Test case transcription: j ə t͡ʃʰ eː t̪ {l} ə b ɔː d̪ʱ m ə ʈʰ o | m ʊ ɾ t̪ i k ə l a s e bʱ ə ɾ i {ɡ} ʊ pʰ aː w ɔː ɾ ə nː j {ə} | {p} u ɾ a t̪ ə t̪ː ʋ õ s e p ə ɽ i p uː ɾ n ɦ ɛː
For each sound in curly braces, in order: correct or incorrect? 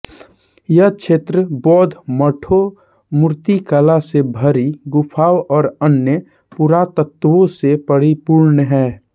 incorrect: ɾ, correct, correct, correct

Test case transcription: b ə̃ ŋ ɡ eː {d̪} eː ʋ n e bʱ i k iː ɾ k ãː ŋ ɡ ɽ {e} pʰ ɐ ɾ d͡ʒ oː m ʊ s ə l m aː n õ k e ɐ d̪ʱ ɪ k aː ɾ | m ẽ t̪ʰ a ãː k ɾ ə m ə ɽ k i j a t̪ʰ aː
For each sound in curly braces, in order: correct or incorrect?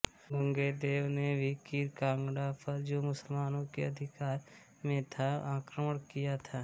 correct, incorrect: a

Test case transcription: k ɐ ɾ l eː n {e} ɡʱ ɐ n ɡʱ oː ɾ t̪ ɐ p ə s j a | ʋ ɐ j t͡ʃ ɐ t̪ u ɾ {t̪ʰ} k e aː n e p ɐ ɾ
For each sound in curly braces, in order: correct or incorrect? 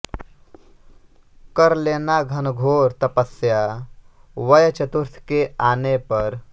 incorrect: a, correct

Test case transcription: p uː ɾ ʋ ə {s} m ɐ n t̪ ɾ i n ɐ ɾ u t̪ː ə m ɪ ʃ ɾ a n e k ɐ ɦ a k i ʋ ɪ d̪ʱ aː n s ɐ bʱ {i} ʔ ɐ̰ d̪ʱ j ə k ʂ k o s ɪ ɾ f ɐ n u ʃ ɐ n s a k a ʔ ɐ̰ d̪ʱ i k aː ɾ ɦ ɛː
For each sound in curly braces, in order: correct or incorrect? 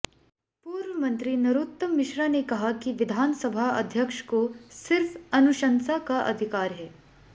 incorrect: none, incorrect: a

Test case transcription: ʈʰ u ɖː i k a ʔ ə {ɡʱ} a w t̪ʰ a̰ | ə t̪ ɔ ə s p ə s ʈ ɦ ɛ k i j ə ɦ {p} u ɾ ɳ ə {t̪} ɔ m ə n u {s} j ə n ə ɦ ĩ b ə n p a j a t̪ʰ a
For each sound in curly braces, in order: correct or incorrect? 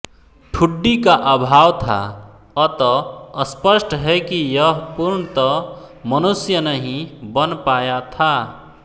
incorrect: bʱ, correct, correct, correct

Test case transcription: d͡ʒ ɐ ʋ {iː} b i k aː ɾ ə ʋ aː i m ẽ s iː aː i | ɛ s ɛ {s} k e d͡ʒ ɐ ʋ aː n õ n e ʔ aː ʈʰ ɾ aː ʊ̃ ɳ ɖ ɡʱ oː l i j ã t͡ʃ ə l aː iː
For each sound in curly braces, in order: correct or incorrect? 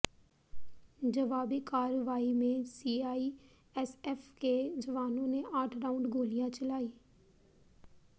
incorrect: aː, incorrect: f

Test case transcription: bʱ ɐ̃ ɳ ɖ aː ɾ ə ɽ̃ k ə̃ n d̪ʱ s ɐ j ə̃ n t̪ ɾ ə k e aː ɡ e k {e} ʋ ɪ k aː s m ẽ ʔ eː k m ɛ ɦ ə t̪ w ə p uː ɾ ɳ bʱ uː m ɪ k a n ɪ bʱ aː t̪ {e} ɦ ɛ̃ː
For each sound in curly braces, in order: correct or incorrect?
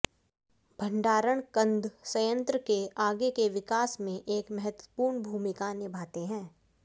correct, correct

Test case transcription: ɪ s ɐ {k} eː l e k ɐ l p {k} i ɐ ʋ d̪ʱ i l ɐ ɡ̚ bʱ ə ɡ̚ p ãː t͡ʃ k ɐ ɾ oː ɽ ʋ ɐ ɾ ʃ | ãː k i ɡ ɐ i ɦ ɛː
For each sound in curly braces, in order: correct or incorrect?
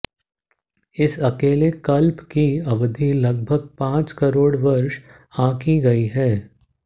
correct, correct

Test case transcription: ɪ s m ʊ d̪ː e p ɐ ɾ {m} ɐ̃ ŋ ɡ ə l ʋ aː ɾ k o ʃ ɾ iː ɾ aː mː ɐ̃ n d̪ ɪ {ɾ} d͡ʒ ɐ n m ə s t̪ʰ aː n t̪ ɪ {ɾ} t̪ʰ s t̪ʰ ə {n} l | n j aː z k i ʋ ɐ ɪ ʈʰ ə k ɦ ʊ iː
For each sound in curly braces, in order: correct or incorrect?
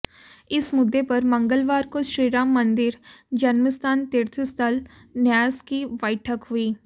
correct, correct, correct, incorrect: none

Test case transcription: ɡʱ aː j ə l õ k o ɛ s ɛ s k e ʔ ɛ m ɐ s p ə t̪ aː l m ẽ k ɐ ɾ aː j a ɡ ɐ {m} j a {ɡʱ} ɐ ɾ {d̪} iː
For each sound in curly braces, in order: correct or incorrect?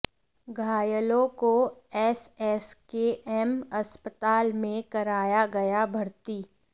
incorrect: none, incorrect: bʱ, incorrect: t̪

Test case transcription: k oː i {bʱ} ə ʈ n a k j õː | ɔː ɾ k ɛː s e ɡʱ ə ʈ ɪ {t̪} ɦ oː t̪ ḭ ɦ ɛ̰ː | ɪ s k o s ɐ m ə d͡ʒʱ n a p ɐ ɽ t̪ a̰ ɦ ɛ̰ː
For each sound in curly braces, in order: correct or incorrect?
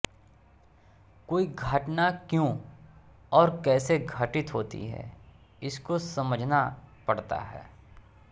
incorrect: ɡʱ, correct

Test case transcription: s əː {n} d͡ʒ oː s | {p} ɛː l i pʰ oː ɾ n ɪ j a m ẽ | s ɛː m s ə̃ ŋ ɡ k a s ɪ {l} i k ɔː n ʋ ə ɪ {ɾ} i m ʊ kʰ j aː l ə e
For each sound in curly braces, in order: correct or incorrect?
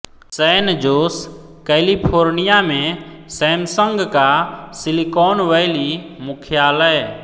correct, incorrect: k, correct, incorrect: l

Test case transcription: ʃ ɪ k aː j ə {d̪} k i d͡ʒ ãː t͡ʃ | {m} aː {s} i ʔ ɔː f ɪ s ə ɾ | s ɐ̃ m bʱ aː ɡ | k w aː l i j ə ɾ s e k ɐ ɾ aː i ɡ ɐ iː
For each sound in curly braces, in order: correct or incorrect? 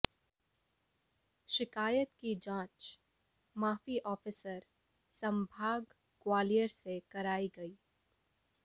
incorrect: t̪, correct, incorrect: f

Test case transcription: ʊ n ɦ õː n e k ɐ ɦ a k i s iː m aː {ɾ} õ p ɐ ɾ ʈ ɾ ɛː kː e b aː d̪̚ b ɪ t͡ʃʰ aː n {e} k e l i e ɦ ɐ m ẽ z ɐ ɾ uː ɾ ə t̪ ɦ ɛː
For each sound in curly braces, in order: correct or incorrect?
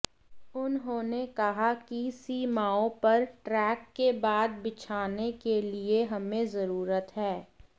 incorrect: none, correct

